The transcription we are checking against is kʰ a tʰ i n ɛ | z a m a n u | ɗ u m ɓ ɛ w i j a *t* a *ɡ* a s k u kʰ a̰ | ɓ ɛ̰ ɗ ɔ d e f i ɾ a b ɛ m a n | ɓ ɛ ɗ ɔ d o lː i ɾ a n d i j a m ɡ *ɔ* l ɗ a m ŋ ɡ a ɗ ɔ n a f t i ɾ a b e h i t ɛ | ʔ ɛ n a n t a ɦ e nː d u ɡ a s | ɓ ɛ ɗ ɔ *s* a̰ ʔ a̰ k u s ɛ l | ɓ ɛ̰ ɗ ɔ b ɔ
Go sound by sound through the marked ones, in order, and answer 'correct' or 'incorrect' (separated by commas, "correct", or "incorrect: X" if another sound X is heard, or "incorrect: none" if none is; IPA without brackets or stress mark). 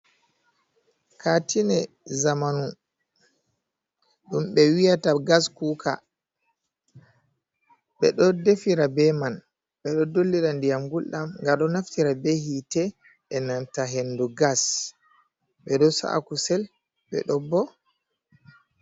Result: correct, correct, incorrect: u, correct